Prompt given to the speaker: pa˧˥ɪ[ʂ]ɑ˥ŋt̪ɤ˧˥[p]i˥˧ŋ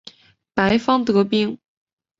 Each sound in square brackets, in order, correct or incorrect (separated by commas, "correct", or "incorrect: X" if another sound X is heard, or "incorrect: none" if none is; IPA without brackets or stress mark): incorrect: f, correct